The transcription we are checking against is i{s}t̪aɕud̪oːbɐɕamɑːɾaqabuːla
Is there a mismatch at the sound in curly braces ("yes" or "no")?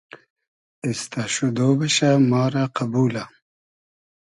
no